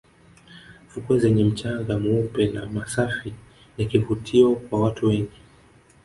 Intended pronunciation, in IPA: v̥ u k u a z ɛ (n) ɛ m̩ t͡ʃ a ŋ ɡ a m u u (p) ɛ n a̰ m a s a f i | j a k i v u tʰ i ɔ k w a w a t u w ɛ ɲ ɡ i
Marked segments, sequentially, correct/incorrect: incorrect: ɲ, correct

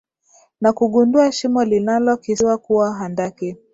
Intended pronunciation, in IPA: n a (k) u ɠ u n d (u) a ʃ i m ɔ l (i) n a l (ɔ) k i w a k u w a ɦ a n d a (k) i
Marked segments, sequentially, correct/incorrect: correct, correct, correct, correct, correct

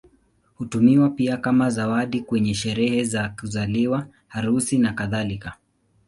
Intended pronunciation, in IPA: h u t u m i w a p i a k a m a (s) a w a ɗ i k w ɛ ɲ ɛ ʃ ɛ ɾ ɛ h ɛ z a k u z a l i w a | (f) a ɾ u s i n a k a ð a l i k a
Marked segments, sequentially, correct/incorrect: incorrect: z, incorrect: h

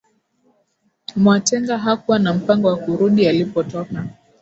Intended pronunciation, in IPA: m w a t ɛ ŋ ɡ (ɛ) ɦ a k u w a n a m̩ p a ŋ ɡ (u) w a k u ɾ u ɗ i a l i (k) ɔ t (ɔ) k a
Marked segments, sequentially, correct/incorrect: incorrect: a, incorrect: ɔ, incorrect: p, correct

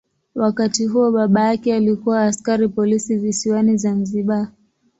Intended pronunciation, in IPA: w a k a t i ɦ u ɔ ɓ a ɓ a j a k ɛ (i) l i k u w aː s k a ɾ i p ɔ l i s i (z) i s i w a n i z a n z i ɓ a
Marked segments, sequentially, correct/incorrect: incorrect: a, incorrect: v

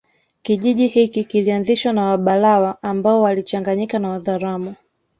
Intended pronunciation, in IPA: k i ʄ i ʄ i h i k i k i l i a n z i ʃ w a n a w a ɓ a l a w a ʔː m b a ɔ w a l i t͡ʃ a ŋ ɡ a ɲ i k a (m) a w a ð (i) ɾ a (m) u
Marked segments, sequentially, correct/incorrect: incorrect: n, incorrect: a, correct

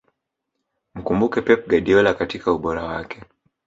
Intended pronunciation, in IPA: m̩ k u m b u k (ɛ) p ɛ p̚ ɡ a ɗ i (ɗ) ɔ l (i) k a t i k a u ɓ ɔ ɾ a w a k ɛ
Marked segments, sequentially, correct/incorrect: correct, incorrect: none, incorrect: a

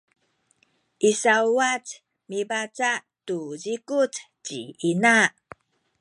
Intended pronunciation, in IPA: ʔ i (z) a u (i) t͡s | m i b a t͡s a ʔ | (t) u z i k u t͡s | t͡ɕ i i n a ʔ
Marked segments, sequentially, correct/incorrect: incorrect: s, incorrect: a, correct

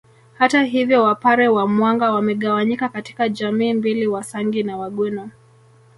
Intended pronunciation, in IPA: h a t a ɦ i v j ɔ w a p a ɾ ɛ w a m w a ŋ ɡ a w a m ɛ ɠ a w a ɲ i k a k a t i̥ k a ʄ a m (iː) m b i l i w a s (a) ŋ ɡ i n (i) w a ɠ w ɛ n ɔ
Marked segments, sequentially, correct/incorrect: correct, correct, incorrect: a

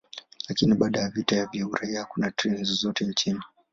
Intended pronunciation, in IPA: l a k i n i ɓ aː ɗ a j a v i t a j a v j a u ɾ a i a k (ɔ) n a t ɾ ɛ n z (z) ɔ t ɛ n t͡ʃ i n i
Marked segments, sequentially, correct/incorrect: incorrect: u, correct

